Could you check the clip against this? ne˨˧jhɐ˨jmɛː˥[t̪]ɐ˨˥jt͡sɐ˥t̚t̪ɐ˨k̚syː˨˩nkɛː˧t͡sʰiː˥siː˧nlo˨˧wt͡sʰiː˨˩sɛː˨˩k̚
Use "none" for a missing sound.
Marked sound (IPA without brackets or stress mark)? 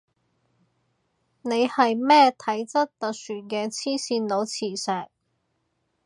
t̪ʰ